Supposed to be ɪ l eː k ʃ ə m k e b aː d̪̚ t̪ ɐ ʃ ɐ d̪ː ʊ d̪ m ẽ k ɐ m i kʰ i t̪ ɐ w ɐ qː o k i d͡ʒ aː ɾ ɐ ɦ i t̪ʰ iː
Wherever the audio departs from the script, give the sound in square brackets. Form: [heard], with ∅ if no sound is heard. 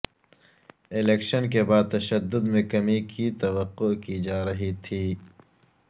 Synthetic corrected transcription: ɪ l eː k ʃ ə [n] k e b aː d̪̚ t̪ ɐ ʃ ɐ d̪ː ʊ d̪ m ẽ k ɐ m i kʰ i t̪ ɐ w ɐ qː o k i d͡ʒ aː ɾ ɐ ɦ i t̪ʰ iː